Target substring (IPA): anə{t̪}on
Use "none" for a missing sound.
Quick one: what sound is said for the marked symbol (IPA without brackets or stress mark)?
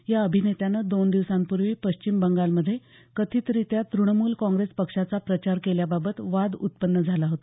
d̪